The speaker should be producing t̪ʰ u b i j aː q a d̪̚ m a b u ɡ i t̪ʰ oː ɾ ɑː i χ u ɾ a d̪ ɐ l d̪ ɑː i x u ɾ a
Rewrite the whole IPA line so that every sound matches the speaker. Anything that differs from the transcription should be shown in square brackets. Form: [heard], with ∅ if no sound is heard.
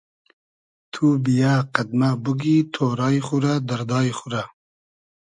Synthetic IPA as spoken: t̪ʰ u b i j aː q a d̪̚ m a b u ɡ i t̪ʰ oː ɾ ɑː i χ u ɾ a d̪ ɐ [ɾ] d̪ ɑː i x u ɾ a